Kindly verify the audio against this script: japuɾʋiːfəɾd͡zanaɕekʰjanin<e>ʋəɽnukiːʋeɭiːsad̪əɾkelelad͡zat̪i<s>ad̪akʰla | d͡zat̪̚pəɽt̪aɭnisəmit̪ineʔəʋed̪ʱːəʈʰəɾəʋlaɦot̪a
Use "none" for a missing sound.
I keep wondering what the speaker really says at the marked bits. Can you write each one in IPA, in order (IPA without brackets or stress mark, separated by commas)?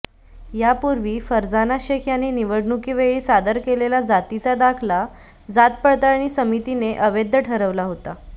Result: i, t͡s